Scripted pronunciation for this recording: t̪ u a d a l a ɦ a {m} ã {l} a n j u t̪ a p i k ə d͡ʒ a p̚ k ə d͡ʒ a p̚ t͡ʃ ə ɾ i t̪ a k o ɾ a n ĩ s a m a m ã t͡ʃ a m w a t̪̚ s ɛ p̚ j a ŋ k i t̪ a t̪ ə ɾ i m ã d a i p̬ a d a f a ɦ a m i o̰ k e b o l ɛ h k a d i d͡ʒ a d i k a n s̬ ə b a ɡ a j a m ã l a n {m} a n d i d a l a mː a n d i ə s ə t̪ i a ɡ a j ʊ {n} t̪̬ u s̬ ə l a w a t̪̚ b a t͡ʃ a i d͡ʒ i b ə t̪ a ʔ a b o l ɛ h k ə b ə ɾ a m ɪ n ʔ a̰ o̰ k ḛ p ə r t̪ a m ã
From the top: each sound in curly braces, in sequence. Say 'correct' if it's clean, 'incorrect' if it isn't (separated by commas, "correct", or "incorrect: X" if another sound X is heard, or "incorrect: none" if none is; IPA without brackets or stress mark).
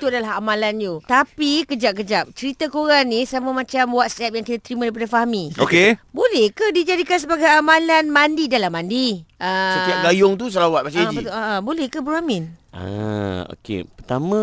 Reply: correct, correct, correct, incorrect: ŋ